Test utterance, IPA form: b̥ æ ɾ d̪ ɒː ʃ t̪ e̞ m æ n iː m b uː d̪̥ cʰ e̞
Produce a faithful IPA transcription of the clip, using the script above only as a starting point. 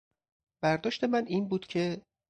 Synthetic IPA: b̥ æ ɾ d̪ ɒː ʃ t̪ e̞ m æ n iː n b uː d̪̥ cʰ e̞

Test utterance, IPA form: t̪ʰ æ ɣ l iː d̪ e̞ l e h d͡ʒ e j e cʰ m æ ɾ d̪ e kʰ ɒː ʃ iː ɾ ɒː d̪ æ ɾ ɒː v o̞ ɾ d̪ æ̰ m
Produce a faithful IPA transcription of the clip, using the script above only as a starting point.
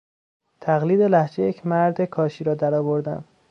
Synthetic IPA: t̪ʰ æ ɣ l iː d̪ e̞ l æ h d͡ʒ e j e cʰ m æ ɾ d̪ e kʰ ɒː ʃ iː ɾ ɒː d̪ æ ɾ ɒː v o̞ ɾ d̪ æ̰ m

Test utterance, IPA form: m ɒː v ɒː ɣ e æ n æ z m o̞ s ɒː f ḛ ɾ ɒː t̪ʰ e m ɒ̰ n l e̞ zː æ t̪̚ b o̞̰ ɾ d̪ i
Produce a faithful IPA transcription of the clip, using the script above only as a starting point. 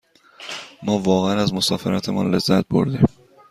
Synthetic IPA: m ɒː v ɒː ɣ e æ n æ z m o̞ s ɒː f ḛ ɾ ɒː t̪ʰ e m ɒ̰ n l e̞ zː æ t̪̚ b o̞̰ ɾ d̪ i

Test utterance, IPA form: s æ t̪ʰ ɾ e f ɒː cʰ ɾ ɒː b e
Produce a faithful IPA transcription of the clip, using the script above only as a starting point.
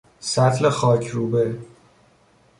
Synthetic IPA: s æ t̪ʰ l e x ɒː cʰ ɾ uː b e

